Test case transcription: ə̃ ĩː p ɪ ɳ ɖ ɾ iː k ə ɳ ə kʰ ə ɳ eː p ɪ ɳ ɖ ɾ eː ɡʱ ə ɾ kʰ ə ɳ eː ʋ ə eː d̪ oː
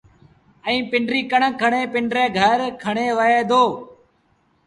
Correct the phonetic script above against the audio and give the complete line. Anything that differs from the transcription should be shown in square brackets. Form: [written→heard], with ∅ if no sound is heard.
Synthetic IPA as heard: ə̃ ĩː p ɪ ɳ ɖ ɾ iː k ə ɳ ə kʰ ə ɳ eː p ɪ ɳ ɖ ɾ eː ɡʱ ə ɾ kʰ ə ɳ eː ʋ ə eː d̪ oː